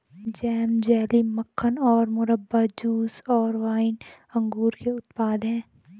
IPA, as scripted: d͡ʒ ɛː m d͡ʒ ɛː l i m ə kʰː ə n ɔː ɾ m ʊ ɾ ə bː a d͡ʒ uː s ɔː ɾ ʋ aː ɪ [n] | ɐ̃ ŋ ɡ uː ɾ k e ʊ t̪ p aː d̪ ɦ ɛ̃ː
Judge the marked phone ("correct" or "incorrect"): correct